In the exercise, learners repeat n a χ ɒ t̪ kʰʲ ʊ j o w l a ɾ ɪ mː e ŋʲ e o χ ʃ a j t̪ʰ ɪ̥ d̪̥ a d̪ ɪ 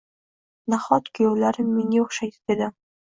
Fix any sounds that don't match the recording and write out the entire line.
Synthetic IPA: n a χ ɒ t̪ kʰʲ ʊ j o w l a ɾ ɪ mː e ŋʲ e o χ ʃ a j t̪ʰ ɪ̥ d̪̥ e d̪ ɪ